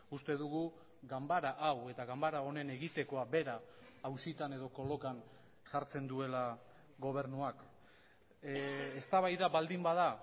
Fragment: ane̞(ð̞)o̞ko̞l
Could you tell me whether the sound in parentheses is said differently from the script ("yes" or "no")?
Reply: no